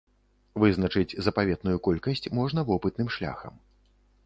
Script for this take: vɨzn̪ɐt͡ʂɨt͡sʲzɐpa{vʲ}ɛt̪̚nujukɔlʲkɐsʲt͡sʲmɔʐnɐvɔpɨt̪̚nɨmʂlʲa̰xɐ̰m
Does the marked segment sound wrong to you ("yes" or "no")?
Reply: no